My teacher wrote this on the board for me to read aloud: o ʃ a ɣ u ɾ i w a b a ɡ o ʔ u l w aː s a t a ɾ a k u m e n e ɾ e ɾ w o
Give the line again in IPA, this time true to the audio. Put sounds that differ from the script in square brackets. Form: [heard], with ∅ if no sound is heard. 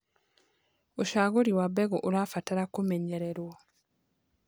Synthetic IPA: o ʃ a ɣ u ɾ i w a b [e] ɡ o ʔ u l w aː [f] a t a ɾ a k u m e [ɲ] e ɾ e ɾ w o

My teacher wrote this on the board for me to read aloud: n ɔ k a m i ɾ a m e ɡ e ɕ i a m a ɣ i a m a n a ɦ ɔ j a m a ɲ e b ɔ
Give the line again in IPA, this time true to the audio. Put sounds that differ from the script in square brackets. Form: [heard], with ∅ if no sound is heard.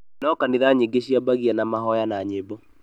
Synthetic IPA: n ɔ k a [n] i ɾ a [ɲ] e ɡ e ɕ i a [b] a ɣ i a [n] a [m] a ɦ ɔ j a [n] a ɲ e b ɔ

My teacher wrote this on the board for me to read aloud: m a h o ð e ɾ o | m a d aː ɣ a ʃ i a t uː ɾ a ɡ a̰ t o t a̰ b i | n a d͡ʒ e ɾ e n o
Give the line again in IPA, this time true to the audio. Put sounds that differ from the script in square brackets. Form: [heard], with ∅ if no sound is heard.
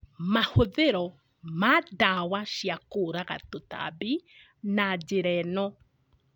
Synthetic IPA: m a h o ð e ɾ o | m a d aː [w] a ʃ i a [k] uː ɾ a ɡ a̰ t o t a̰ b i | n a d͡ʒ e ɾ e n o

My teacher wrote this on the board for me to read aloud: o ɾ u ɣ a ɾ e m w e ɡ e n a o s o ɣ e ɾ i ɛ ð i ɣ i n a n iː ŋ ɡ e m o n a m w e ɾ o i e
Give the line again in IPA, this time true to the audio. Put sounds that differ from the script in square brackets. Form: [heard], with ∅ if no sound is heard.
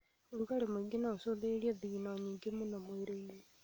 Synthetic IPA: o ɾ u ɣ a ɾ e m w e ɡ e n a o s o [ð] e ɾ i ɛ ð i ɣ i n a [ɲ] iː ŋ ɡ e m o n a m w e ɾ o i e

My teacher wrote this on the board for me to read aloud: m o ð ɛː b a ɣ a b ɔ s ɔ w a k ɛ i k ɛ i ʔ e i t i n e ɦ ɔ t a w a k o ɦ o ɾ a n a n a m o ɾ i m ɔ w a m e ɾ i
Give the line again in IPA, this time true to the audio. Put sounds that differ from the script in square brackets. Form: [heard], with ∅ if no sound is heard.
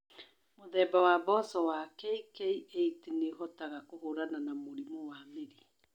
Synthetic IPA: m o ð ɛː b a [w] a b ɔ s ɔ w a k ɛ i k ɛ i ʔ e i t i n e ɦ ɔ t a [ɣ] a k o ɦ o ɾ a n a n a m o ɾ i m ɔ w a m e ɾ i

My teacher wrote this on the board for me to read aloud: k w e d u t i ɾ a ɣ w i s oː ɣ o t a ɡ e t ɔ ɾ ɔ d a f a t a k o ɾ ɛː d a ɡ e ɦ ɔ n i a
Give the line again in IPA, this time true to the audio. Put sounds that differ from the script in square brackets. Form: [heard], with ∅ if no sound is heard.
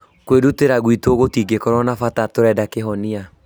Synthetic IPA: k w e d u t [e] ɾ a ɣ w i [t] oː ɣ o t [i] ɡ e [k] ɔ ɾ ɔ [n] a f a t a [t] o ɾ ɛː d a [k] e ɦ ɔ n i a

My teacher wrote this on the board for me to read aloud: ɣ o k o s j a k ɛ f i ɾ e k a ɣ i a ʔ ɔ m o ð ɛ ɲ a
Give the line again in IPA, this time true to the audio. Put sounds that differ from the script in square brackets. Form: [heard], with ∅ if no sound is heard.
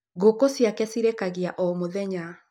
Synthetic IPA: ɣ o k o s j a k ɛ [s] i ɾ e k a ɣ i a ʔ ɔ m o ð ɛ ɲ a

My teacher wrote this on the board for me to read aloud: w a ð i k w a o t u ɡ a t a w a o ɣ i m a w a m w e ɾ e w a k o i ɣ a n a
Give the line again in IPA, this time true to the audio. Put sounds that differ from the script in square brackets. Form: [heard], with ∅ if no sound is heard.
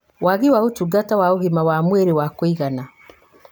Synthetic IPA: w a [ɣ] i [∅] w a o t u ɡ a t a w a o ɣ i m a w a m w e ɾ e w a k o i ɣ a n a

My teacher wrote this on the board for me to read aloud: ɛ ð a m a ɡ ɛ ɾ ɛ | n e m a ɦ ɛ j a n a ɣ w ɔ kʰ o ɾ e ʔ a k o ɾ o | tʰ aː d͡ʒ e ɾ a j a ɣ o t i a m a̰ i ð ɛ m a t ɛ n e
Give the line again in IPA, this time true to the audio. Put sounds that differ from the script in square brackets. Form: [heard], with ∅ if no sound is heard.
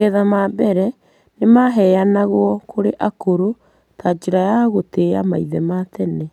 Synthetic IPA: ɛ ð a m a [b] ɛ ɾ ɛ | n e m a ɦ ɛ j a n a ɣ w ɔ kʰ o ɾ e ʔ a k o ɾ o | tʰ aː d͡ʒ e ɾ a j a ɣ o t [e] a m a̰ i ð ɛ m a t ɛ n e

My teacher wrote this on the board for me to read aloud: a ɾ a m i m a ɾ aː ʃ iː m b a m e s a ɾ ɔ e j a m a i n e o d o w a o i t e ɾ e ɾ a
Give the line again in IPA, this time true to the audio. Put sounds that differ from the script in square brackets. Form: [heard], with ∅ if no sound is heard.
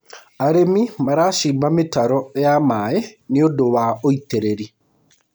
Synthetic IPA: a ɾ [e] m i m a ɾ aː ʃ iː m b a m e [t] a ɾ ɔ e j a m a [e] n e o d o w a o i t e ɾ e ɾ [i]

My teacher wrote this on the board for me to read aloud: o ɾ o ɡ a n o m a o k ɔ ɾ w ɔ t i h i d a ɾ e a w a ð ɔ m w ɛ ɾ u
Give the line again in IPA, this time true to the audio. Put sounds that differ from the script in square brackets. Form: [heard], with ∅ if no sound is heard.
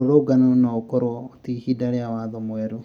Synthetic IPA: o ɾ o ɡ a n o [n] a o k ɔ ɾ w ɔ t i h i d a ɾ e a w a ð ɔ m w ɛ ɾ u

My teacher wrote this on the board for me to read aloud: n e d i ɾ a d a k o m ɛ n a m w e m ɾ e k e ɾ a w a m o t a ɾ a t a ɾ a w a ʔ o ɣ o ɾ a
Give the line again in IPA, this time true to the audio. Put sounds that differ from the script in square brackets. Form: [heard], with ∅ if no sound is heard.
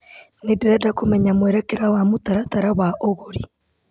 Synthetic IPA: n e d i ɾ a d a k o m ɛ [ɲ] a m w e [∅] ɾ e k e ɾ a w a m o t a ɾ a t a ɾ a w a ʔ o ɣ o ɾ [i]

